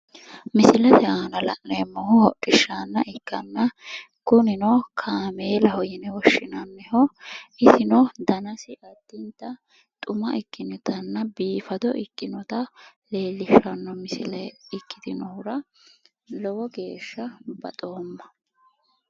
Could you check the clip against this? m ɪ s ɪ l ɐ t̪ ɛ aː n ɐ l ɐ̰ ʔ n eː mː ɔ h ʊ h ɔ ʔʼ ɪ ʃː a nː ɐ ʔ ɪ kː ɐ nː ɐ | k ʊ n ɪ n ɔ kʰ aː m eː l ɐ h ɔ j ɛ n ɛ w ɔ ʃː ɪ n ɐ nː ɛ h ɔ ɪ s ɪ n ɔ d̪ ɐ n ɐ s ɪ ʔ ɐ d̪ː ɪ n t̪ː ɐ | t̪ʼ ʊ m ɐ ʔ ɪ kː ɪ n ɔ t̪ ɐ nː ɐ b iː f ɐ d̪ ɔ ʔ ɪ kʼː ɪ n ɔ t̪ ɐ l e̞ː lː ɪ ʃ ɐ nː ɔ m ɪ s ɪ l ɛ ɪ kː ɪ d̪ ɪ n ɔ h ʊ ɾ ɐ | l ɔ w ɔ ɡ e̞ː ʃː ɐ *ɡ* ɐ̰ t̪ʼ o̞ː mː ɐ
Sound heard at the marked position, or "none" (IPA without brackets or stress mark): b